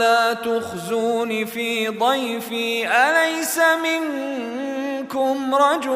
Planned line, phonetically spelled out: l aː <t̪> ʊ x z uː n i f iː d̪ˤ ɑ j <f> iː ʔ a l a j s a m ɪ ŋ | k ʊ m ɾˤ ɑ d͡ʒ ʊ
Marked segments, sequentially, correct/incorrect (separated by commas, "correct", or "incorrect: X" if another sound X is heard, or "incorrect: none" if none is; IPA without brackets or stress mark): correct, correct